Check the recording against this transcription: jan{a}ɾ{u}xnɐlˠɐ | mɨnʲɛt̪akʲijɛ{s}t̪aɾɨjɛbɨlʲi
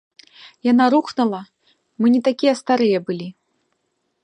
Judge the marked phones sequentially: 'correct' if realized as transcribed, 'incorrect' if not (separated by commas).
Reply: correct, correct, correct